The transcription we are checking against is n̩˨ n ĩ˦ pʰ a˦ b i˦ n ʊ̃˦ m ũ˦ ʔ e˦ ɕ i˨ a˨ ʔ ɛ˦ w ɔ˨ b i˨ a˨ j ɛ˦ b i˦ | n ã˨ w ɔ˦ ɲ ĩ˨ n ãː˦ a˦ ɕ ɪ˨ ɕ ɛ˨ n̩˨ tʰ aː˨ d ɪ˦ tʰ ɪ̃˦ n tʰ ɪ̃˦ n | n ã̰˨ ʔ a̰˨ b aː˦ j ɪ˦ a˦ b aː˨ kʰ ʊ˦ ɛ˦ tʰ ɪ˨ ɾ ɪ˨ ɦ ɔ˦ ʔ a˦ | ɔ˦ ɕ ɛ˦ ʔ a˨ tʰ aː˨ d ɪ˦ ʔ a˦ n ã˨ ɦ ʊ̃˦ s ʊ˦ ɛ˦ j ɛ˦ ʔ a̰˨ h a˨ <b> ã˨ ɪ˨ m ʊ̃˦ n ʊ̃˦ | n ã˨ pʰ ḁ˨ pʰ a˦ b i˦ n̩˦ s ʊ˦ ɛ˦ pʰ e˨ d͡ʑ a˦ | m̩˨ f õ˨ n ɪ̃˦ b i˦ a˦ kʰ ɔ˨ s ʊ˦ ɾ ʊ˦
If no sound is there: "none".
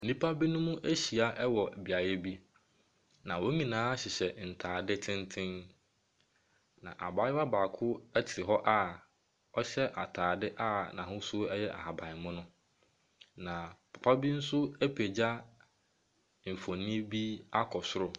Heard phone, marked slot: b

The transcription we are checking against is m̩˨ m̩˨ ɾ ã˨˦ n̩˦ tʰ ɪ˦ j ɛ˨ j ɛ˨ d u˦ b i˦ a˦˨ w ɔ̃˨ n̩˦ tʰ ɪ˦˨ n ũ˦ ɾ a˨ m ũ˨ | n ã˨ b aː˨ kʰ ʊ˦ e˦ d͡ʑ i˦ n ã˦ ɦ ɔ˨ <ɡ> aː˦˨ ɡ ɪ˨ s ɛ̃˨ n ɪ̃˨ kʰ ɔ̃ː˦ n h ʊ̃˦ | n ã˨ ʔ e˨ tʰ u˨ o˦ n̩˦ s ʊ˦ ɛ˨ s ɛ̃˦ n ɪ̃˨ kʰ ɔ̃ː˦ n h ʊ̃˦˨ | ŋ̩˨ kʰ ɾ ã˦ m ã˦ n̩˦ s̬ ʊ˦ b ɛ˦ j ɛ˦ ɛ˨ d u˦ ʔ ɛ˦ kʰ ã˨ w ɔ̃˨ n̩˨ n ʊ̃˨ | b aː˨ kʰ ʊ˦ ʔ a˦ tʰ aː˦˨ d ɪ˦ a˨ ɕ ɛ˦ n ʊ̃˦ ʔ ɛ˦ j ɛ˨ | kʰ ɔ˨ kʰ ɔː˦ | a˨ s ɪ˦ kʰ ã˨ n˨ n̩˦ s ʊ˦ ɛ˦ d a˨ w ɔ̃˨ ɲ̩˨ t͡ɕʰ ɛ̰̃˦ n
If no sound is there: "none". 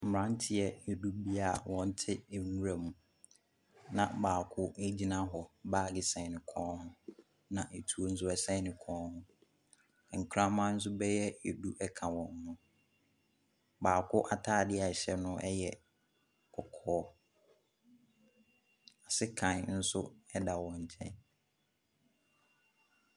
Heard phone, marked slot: b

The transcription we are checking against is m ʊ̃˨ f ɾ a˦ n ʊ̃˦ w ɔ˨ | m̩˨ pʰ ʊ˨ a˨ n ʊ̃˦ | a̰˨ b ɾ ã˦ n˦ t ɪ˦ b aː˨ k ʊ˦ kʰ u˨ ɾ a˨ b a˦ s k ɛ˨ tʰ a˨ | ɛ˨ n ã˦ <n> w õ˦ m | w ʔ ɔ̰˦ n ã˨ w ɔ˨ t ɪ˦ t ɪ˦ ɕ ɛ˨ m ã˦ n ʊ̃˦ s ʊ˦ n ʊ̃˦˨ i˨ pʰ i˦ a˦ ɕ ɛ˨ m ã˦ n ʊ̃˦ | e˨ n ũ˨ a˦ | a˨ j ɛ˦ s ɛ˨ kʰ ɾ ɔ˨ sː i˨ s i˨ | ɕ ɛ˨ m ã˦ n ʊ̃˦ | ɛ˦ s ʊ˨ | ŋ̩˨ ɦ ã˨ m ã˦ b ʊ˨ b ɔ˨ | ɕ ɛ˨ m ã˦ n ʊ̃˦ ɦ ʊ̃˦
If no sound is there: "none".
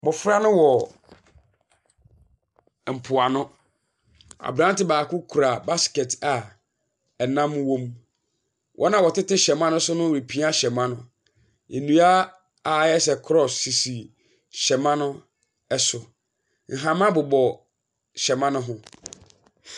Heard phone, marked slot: m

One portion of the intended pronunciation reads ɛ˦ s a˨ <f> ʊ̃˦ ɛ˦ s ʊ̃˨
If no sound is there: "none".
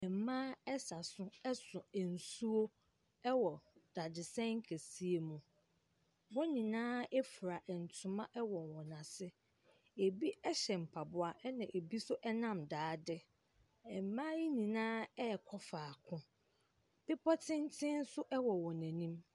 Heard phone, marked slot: s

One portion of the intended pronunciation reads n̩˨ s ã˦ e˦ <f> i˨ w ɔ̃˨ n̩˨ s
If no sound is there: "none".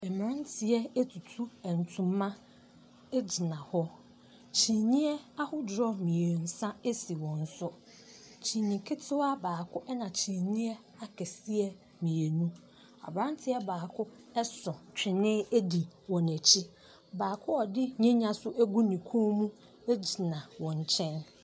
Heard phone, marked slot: s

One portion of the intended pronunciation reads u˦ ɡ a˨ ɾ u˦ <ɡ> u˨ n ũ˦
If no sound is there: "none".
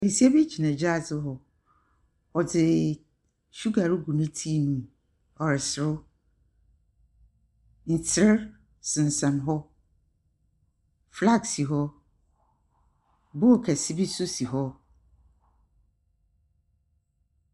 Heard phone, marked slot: ɡ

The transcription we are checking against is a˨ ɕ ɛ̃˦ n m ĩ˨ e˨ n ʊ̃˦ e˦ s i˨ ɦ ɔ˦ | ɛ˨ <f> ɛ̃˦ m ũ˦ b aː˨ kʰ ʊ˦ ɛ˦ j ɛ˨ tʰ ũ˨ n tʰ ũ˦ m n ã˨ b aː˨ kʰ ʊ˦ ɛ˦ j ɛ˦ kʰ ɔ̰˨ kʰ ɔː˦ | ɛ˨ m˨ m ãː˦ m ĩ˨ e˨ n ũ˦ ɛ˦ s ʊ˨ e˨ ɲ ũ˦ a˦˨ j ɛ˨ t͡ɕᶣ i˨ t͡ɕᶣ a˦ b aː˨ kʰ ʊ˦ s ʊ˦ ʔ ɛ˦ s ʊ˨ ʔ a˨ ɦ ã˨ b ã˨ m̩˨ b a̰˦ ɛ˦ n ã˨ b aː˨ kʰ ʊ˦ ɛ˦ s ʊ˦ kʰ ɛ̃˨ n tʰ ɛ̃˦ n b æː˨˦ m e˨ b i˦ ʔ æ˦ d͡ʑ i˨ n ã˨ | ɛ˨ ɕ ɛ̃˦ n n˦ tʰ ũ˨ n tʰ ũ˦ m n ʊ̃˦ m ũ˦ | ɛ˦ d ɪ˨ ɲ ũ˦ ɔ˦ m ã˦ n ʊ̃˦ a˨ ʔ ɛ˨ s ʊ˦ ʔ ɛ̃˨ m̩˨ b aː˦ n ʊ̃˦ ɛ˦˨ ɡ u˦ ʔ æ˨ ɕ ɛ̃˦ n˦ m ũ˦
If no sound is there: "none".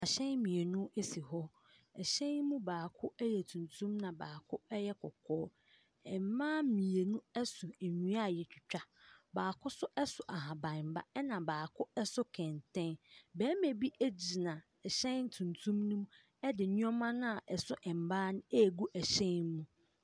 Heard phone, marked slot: ɕ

